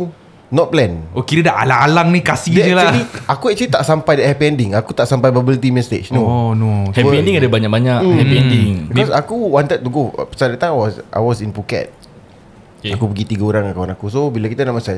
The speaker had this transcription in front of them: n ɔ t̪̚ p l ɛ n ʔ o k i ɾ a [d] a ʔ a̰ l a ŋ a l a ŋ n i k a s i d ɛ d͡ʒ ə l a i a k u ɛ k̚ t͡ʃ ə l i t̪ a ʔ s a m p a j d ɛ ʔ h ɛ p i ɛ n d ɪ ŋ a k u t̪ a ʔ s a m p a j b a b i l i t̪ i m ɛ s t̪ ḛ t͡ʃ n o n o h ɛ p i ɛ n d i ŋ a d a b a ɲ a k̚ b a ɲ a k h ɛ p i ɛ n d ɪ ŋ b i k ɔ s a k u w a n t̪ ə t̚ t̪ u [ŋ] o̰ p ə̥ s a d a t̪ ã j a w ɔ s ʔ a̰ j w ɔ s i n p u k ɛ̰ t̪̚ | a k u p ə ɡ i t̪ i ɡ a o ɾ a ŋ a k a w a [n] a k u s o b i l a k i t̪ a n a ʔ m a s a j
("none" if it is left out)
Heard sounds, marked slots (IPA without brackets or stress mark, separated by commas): d, ɡ, n